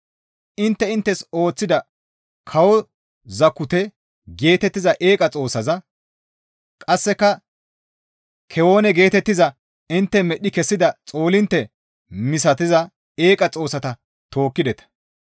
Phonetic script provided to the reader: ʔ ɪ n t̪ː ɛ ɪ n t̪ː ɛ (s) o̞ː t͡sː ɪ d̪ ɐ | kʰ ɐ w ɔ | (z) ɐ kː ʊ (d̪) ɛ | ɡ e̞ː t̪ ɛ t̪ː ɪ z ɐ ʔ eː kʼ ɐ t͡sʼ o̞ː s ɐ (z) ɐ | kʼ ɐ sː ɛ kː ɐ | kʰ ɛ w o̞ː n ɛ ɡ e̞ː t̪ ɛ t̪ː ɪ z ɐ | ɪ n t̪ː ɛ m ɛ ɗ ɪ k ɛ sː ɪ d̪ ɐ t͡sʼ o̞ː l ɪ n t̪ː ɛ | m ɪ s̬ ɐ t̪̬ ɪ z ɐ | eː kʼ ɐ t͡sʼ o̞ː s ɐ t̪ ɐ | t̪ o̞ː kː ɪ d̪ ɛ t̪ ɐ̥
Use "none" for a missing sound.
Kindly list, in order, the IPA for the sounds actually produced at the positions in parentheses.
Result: s, z, t̪, z

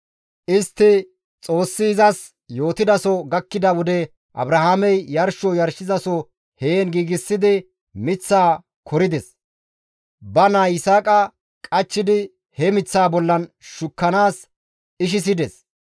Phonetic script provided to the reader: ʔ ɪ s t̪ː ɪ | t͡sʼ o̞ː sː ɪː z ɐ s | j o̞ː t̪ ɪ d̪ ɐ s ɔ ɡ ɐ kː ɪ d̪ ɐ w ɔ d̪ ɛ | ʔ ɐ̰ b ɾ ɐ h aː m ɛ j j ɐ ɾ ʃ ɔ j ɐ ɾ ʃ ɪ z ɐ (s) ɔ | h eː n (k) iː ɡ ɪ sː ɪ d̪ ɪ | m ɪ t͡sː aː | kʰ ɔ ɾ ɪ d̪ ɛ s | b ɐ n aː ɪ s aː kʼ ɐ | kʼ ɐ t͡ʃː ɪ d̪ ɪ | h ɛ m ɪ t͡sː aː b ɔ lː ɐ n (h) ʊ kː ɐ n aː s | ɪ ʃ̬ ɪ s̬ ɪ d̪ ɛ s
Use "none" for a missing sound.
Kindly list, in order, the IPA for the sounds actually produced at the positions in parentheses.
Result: s, ɡ, ʃ

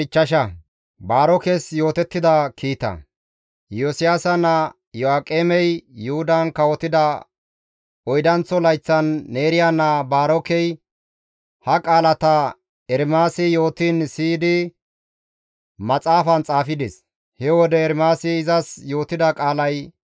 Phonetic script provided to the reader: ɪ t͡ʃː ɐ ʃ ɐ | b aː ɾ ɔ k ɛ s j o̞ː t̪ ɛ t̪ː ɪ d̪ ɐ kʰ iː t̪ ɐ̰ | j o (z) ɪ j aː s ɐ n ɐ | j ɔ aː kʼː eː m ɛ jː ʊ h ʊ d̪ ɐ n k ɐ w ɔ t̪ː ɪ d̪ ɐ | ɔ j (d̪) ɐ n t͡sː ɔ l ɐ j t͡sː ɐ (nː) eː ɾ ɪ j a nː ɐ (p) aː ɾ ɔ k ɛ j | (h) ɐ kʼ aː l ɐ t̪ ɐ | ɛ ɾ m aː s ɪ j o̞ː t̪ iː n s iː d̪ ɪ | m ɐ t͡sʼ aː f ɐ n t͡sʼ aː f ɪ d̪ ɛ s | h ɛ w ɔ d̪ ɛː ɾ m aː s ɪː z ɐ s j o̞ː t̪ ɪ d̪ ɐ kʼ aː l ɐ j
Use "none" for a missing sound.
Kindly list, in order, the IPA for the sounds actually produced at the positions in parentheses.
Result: s, d̪, nː, b, h

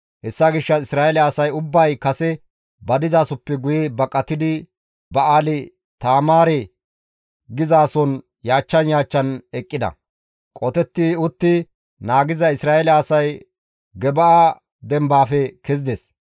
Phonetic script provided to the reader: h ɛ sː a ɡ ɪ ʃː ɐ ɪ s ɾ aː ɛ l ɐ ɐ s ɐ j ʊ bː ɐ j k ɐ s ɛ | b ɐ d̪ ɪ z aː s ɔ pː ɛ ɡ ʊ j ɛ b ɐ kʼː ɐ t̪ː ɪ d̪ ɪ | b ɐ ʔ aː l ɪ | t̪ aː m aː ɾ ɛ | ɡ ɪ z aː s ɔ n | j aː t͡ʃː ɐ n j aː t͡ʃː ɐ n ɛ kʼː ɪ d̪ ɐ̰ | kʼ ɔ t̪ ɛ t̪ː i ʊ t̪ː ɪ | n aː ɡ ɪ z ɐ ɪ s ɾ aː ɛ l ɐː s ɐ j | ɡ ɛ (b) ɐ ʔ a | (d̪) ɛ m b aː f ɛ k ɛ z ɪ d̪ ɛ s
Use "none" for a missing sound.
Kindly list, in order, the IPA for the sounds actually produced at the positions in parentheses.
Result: b, d̪

